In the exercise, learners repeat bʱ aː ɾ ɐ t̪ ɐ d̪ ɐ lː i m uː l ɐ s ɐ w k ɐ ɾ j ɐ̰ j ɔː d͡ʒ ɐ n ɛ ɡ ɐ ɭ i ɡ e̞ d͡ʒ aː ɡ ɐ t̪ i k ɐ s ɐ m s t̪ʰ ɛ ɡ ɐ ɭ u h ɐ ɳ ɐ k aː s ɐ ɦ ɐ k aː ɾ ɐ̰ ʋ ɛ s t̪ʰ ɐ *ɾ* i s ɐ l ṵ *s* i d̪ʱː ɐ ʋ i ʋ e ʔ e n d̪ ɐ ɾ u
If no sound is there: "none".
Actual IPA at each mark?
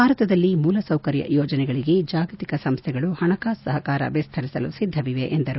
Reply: ɾ, s

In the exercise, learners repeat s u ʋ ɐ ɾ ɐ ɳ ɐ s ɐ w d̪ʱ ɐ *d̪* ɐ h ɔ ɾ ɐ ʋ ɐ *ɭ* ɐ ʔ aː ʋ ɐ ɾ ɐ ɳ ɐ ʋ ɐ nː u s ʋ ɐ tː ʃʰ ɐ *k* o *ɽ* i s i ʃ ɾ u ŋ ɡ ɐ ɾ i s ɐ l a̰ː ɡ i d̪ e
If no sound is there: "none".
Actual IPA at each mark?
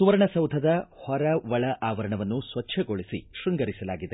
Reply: d̪, ɭ, ɡ, ɭ

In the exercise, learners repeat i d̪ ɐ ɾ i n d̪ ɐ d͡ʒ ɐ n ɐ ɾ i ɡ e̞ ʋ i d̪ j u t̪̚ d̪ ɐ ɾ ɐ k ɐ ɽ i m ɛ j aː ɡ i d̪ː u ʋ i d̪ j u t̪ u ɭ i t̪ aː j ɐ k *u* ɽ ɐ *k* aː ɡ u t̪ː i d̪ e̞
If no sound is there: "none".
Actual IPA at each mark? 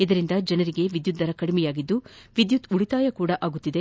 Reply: uː, ʔ

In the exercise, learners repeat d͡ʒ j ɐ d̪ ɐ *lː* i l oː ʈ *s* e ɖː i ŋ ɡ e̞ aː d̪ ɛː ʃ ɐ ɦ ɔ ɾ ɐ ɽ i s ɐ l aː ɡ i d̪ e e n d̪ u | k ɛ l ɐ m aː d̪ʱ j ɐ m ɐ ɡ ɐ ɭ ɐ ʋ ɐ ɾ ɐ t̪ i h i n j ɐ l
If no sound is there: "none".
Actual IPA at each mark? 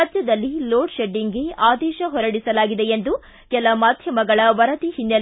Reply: lː, ʃ

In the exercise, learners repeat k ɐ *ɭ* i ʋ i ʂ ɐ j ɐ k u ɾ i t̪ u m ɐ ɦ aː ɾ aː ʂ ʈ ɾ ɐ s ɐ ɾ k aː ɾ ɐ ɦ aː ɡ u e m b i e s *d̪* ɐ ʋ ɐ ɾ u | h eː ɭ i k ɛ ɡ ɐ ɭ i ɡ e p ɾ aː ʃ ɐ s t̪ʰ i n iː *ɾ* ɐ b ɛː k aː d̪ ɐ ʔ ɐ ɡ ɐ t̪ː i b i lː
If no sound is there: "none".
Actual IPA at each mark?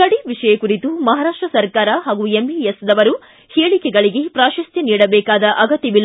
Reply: ɽ, d̪, ɽ

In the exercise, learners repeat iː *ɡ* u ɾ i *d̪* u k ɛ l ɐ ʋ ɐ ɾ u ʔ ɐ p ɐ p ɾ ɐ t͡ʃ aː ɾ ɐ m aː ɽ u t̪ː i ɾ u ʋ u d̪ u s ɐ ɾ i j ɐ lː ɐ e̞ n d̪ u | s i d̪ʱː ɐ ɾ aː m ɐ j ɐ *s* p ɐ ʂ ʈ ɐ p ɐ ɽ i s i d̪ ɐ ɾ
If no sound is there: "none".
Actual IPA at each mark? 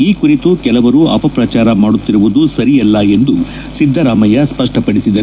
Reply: k, t̪, s

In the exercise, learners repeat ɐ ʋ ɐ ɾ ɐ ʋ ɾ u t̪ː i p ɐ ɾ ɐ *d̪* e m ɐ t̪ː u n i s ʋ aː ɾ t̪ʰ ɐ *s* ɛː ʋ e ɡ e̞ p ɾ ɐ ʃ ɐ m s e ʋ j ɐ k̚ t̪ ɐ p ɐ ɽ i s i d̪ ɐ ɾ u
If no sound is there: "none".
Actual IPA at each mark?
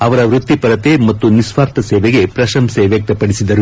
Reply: t̪, s

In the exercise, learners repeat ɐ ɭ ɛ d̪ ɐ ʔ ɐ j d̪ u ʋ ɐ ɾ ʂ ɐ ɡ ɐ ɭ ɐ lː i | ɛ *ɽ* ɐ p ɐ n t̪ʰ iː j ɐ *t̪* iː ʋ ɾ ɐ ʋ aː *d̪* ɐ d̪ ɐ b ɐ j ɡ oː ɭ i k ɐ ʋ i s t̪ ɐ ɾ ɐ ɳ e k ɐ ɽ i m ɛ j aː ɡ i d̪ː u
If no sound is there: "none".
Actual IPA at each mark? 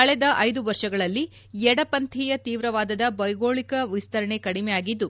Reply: ɽ, t̪, d̪

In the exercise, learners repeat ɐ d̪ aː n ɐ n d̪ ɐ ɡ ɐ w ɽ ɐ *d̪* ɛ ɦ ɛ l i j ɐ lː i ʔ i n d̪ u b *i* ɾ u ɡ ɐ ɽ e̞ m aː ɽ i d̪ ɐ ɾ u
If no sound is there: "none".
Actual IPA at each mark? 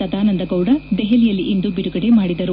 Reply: d̪, i

